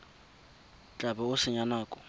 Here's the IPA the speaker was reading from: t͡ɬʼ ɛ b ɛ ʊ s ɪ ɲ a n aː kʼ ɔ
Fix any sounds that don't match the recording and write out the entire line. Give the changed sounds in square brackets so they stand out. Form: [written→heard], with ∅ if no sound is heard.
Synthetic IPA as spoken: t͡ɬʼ [ɛ→a] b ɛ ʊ s ɪ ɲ a n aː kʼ ɔ